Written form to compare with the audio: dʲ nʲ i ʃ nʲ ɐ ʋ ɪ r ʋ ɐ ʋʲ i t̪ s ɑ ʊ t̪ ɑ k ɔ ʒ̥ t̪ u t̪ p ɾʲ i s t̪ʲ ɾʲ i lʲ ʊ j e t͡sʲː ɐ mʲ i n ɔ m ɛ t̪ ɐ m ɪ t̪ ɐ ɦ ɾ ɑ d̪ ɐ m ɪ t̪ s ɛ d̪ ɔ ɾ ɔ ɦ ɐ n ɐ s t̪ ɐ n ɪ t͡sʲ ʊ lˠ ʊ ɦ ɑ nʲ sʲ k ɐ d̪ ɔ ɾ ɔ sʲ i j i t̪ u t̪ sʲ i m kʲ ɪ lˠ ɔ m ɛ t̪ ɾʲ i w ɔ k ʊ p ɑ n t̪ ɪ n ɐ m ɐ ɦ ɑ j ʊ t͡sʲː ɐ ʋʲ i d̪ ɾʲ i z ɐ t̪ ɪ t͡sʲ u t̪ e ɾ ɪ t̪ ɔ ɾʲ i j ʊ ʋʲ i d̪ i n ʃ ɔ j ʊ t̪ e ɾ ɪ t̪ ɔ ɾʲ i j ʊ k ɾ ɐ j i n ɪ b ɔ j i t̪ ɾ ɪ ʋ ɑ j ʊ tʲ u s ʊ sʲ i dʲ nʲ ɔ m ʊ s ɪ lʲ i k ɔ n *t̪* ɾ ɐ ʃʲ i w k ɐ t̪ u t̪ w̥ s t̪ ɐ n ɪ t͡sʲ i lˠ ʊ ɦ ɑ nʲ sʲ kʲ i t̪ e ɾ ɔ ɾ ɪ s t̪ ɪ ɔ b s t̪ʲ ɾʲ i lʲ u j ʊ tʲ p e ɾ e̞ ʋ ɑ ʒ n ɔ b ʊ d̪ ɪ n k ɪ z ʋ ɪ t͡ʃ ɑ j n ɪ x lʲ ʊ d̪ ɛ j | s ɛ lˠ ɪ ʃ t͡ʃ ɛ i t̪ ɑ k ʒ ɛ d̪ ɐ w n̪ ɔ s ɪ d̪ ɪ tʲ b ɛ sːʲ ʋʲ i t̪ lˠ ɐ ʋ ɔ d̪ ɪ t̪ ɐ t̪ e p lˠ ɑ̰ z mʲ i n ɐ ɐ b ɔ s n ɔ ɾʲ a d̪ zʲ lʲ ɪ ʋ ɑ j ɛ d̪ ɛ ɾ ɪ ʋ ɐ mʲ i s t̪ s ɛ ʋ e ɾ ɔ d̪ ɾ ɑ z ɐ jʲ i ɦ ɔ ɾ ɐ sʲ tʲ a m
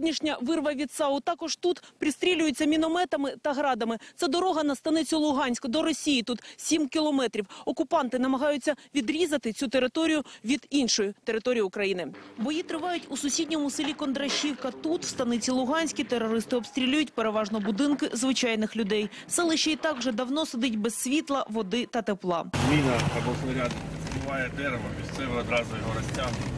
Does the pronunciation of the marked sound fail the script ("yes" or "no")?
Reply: yes